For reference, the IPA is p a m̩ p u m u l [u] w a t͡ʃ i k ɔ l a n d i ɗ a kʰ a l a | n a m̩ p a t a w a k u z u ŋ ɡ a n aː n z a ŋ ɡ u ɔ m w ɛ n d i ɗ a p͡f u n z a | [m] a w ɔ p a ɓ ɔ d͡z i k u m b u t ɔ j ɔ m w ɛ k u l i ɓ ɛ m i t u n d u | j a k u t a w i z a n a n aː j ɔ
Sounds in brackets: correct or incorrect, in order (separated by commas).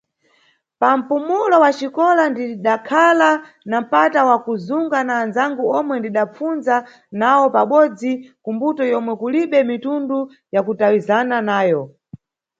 incorrect, incorrect